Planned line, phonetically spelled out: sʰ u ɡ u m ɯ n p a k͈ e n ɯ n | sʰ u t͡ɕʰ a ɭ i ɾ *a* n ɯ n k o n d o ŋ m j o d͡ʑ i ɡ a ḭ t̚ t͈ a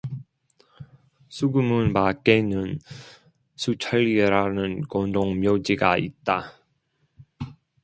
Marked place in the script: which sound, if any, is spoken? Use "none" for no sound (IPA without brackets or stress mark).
a